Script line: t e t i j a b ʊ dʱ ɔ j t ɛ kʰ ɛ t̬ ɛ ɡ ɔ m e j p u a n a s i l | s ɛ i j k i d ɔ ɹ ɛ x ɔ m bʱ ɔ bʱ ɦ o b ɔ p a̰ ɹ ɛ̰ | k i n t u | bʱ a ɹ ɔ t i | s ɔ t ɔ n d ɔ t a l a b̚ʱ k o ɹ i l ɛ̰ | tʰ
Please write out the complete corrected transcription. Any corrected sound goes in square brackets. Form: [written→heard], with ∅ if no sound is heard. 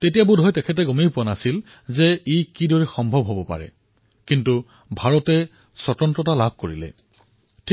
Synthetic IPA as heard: t e t i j a b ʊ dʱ ɔ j t ɛ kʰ ɛ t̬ ɛ ɡ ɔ m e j p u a n a s i l | [s→z] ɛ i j k i d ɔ ɹ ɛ x ɔ m bʱ ɔ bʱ ɦ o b ɔ p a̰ ɹ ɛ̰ | k i n t u | bʱ a ɹ ɔ t [i→ɛ] | s ɔ t ɔ n [d→t] ɔ t a l a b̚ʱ k o ɹ i l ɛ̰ | tʰ